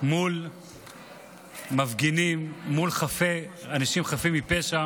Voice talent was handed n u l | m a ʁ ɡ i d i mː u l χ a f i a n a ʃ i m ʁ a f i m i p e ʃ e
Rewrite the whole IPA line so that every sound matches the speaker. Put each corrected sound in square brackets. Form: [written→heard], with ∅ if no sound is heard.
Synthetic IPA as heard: [n→m] u l | m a [ʁ→v] ɡ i [d→n] i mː u l χ a f [i→e] a n a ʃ i m [ʁ→χ] a f i m i p e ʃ [e→a]